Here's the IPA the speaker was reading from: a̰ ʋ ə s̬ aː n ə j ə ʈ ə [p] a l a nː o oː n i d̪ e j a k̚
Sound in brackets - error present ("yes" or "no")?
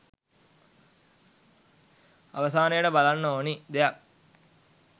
yes